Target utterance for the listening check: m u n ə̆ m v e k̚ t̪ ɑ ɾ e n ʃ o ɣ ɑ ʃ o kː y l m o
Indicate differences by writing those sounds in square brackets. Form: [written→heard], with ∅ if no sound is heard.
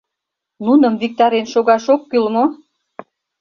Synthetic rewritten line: [m→n] u n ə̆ m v [e→i] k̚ t̪ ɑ ɾ e n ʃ o ɣ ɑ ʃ o kː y l m o